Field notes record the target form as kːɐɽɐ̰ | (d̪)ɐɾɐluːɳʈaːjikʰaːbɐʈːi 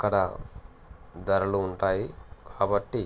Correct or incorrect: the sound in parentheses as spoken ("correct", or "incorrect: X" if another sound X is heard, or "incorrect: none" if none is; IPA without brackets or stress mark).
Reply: correct